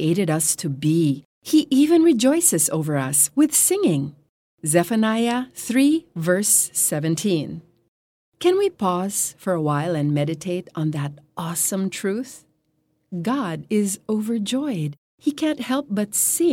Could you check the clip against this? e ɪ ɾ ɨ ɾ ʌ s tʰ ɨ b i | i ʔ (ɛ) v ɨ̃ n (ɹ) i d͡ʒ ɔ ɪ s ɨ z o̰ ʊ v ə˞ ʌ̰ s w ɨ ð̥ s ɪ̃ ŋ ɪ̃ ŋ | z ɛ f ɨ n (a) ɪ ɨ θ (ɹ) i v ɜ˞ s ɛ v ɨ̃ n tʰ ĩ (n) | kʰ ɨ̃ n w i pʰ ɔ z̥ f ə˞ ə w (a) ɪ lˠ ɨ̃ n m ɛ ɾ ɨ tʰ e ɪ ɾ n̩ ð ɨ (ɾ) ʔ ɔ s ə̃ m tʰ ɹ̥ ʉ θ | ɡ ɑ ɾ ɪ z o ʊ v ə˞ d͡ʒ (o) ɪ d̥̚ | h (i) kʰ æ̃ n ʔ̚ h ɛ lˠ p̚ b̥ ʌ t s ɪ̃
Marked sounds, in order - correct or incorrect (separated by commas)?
incorrect, correct, correct, correct, correct, correct, correct, incorrect, correct